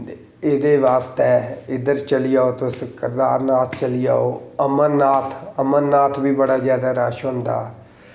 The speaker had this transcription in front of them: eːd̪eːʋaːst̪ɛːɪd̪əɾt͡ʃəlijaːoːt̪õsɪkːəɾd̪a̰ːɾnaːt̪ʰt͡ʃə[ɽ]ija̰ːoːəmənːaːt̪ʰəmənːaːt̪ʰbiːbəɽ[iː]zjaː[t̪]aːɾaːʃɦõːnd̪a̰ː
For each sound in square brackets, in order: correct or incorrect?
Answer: incorrect, incorrect, incorrect

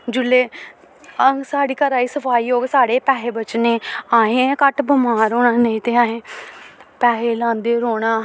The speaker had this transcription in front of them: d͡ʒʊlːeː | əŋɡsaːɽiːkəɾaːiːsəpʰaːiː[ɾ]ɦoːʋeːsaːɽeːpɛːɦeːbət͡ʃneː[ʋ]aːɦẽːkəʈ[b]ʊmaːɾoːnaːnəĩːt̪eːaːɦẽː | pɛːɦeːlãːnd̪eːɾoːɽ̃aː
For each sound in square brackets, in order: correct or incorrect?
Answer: incorrect, incorrect, correct

